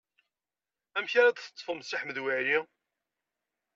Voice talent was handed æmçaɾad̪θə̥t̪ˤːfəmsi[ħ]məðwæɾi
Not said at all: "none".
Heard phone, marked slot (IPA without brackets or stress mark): ħ